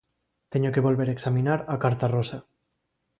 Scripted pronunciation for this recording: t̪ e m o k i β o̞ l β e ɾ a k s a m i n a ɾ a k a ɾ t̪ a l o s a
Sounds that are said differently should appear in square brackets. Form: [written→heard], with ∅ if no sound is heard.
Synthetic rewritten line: t̪ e [m→ɲ] o k [i→e] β o̞ l β e ɾ [a→e] k s a m i n a ɾ a k a ɾ t̪ a [l→r] o s a